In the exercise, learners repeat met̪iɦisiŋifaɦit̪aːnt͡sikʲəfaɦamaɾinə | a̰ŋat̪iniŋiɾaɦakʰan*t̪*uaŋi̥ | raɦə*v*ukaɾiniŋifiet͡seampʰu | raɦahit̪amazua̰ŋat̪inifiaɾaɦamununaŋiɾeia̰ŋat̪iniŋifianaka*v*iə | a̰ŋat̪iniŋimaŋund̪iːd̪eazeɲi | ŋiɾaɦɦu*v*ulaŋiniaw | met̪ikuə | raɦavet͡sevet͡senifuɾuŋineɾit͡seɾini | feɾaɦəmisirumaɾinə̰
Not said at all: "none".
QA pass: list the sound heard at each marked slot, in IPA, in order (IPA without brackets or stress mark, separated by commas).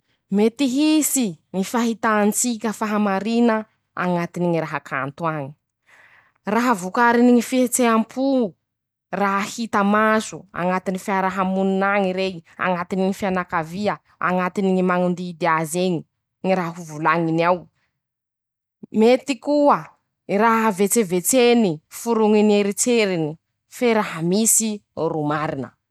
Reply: t̪, v, v, v